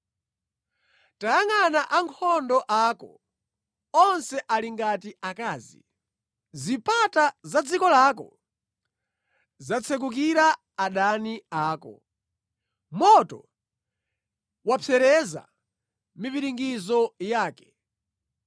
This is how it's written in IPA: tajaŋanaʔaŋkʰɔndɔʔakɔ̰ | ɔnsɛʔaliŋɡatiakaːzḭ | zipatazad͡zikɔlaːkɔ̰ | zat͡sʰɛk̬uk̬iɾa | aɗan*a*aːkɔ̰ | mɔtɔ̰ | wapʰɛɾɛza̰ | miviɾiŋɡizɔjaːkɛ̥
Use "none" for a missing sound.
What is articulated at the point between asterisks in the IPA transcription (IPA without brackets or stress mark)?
i